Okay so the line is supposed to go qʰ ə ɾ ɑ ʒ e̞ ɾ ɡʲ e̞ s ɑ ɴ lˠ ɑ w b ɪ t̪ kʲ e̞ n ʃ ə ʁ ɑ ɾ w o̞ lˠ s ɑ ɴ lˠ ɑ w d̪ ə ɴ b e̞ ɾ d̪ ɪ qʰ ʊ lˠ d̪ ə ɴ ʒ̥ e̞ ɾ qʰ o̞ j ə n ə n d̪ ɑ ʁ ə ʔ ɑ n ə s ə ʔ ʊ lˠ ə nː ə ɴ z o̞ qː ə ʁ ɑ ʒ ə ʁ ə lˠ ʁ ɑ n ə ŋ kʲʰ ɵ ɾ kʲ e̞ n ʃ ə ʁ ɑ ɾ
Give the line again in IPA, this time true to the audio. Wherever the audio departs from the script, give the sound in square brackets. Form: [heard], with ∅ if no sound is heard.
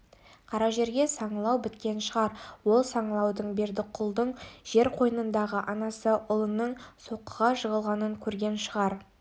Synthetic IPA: qʰ [ɑ] ɾ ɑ ʒ e̞ ɾ ɡʲ e̞ s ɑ ɴ lˠ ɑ w b ɪ t̪ kʲ e̞ n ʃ ə ʁ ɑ ɾ w o̞ lˠ s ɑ ɴ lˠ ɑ w d̪ ə ɴ b e̞ ɾ d̪ ɪ qʰ ʊ lˠ d̪ ə ɴ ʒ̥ e̞ ɾ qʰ o̞ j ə n ə n d̪ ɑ ʁ ə ʔ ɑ n [ɑ] s ə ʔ ʊ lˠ ə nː ə ɴ [s] o̞ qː ə ʁ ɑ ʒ ə ʁ ə lˠ ʁ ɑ n ə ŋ kʲʰ ɵ ɾ [ɡʲ] e̞ n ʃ ə ʁ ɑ ɾ